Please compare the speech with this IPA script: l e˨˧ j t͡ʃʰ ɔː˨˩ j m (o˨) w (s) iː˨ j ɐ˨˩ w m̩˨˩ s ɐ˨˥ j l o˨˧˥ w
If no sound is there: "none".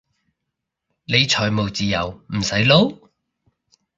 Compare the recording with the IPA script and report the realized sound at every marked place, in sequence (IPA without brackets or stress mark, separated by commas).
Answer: o˨, t͡s